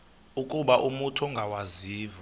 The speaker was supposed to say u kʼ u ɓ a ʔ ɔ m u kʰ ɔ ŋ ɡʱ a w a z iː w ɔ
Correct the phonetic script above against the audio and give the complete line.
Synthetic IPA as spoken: u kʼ u ɓ a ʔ u m u tʰ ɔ ŋ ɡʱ a w a z iː v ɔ